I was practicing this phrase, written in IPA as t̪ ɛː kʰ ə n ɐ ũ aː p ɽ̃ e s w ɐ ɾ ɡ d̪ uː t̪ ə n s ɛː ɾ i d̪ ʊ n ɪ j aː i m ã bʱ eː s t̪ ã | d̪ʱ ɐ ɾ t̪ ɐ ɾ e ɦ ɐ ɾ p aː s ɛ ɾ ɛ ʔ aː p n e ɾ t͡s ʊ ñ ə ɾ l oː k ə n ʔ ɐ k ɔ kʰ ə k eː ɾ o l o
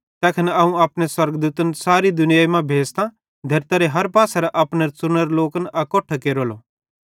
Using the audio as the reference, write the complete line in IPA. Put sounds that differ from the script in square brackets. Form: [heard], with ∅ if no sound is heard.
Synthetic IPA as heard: t̪ ɛː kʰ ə n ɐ ũ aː p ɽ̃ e s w ɐ ɾ ɡ d̪ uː t̪ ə n s [aː] ɾ i d̪ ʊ n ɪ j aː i m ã bʱ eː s t̪ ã | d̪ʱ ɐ ɾ t̪ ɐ ɾ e ɦ ɐ ɾ p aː s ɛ ɾ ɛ ʔ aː p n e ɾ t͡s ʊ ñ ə ɾ l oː k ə n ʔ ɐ k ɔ [ʈʰ] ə k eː ɾ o l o

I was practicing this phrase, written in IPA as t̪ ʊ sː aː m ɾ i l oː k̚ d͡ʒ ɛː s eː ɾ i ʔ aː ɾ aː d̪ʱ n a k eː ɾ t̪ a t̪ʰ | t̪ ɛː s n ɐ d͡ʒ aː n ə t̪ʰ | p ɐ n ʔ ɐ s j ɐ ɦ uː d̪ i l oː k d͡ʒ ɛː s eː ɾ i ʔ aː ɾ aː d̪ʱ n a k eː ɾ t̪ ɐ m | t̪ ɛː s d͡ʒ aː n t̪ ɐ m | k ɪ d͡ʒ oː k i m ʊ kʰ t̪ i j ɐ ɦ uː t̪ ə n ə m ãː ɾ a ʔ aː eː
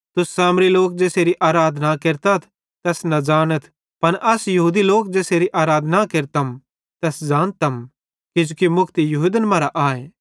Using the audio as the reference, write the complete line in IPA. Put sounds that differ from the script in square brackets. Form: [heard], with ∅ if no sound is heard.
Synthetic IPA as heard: t̪ ʊ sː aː m ɾ i l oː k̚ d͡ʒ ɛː s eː ɾ i ʔ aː ɾ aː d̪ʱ n a k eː ɾ t̪ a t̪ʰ | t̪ ɛː s n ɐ d͡ʒ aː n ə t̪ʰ | p ɐ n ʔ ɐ s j ɐ ɦ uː d̪ i l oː k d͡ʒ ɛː s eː ɾ i ʔ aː ɾ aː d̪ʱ n a k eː ɾ t̪ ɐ m | t̪ ɛː s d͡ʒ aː n t̪ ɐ m | k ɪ d͡ʒ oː k i m ʊ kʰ t̪ i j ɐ ɦ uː [d̪] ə n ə m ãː ɾ a ʔ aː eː

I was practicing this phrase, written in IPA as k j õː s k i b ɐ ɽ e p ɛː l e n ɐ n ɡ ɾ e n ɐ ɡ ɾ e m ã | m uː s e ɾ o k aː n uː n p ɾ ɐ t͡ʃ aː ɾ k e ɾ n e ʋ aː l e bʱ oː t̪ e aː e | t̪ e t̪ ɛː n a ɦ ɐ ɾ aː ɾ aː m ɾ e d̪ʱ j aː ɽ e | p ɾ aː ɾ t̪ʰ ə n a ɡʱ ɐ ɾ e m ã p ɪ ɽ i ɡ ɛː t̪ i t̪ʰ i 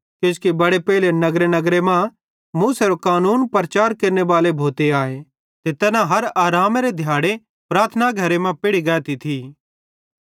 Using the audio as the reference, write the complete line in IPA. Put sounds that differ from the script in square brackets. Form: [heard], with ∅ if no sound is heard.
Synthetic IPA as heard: k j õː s k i b ɐ ɽ e p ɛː l e n ɐ [∅] ɡ ɾ e n ɐ ɡ ɾ e m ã | m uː s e ɾ o k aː n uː n p ɾ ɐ t͡ʃ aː ɾ k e ɾ n e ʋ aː l e bʱ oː t̪ e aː e | t̪ e t̪ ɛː n a ɦ ɐ ɾ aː ɾ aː m ɾ e d̪ʱ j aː ɽ e | p ɾ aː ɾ t̪ʰ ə n a ɡʱ ɐ ɾ e m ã p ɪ ɽ i ɡ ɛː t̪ i t̪ʰ i

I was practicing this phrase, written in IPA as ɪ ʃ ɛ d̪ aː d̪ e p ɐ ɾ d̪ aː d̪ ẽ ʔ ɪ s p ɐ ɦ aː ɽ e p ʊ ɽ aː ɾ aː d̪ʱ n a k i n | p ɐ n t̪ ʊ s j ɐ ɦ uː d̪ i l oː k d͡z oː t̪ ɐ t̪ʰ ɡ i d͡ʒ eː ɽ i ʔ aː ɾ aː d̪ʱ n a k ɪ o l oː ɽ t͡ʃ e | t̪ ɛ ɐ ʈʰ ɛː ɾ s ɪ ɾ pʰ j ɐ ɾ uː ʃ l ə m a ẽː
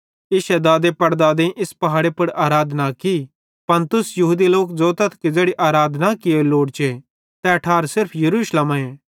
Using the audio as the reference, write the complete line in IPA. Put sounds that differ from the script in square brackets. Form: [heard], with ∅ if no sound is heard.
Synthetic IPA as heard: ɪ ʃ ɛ d̪ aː d̪ e p ɐ ɾ d̪ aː d̪ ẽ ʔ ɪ s p ɐ ɦ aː ɽ e p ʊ ɽ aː ɾ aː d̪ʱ n a k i [∅] | p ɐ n t̪ ʊ s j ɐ ɦ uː d̪ i l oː k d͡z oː t̪ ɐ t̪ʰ [k] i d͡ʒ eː ɽ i ʔ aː ɾ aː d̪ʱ n a k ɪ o l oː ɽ t͡ʃ e | t̪ ɛ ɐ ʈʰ [aː] ɾ s ɪ ɾ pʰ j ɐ ɾ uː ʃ l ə m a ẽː

